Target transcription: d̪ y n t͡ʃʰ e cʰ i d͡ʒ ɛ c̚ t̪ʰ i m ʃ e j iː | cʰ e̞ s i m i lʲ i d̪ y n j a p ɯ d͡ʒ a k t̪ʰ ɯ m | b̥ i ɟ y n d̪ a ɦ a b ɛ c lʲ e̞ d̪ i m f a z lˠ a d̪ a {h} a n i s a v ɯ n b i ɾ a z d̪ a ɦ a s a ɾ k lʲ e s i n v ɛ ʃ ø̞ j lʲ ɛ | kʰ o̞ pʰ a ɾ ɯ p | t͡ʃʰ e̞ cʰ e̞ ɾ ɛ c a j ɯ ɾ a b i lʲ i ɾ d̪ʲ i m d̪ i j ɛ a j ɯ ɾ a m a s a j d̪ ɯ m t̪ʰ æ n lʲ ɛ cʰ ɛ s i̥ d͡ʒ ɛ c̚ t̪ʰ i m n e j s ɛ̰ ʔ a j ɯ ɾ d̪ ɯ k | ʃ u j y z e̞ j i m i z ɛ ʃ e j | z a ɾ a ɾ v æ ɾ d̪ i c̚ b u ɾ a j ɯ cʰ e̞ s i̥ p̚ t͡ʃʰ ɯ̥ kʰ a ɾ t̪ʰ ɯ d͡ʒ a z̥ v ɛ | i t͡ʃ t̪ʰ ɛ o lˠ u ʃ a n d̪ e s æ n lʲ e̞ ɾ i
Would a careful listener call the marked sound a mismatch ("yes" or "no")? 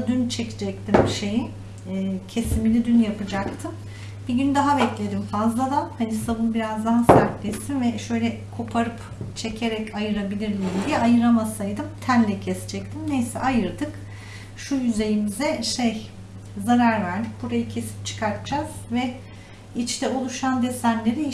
no